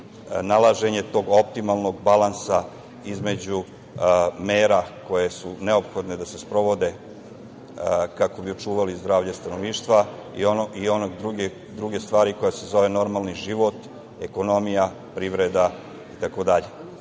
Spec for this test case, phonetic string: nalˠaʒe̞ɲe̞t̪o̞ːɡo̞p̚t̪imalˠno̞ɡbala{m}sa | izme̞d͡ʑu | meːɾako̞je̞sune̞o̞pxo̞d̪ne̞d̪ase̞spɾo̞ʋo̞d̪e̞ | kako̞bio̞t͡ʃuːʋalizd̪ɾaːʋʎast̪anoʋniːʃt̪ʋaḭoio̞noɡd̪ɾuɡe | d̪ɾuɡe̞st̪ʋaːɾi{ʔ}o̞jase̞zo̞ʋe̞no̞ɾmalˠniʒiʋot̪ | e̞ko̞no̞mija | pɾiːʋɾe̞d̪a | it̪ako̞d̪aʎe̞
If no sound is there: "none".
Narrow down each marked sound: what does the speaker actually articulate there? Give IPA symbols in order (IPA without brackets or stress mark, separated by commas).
n, k